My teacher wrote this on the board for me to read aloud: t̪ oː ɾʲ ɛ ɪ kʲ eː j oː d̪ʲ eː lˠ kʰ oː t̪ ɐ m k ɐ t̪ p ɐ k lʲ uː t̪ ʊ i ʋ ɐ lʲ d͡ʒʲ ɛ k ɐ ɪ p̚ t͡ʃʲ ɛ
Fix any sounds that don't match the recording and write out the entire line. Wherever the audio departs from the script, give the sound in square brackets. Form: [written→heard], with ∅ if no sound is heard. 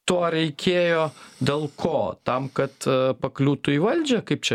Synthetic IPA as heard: t̪ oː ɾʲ ɛ ɪ kʲ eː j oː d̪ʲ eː lˠ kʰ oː t̪ ɐ m k ɐ t̪ p ɐ k lʲ uː t̪ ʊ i ʋ ɐ lʲ d͡ʒʲ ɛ k ɐ ɪ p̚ t͡ʃʲ ɛ